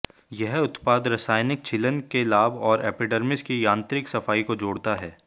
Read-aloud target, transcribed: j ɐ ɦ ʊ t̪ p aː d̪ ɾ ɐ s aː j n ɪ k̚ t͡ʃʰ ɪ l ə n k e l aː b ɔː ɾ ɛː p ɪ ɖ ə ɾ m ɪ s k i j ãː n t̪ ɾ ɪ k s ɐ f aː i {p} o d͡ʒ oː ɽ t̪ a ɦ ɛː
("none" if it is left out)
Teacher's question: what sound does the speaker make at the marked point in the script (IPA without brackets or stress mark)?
k